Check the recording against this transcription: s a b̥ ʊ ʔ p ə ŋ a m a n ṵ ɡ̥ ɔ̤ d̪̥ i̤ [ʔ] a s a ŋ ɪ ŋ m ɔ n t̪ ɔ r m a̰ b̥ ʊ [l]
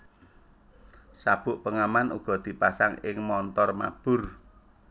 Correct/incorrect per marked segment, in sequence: incorrect: p, incorrect: r

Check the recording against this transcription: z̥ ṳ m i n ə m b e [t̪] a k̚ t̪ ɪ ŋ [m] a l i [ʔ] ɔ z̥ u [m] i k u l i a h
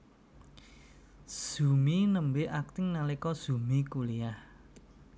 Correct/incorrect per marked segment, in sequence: incorrect: none, incorrect: n, incorrect: k, correct

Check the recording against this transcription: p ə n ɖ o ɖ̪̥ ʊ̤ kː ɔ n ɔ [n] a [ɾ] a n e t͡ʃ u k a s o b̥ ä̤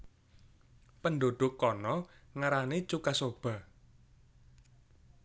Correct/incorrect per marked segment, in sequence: incorrect: ŋ, correct

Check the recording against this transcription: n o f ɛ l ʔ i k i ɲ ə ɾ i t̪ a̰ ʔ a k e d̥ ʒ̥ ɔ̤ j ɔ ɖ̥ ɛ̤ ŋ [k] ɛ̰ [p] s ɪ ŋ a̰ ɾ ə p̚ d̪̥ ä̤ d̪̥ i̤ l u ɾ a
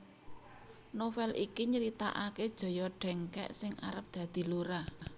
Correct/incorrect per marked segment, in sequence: correct, incorrect: ʔ

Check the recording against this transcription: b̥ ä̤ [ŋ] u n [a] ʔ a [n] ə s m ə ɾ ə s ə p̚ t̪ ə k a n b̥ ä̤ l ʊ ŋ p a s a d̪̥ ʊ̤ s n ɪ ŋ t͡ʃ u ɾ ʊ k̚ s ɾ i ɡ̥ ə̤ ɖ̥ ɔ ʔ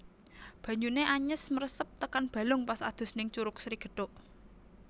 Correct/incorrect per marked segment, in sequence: incorrect: ɲ, incorrect: e, incorrect: ɲ

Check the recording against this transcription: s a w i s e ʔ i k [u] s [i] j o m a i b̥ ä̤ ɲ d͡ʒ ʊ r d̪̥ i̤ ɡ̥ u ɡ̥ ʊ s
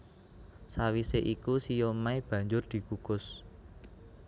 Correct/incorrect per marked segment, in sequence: correct, correct

